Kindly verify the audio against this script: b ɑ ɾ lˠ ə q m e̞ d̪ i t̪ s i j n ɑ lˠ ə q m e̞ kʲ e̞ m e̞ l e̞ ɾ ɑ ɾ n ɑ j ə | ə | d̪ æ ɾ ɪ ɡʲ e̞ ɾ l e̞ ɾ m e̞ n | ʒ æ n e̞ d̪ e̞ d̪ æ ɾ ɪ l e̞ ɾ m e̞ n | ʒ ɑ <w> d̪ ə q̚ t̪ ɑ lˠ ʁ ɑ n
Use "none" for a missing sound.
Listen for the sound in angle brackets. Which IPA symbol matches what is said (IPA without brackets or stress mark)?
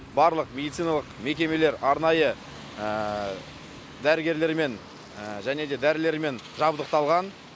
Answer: b